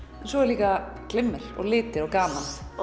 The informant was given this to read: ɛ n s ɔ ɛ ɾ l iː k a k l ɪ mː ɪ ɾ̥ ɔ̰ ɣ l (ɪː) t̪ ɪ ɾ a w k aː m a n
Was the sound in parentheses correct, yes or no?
yes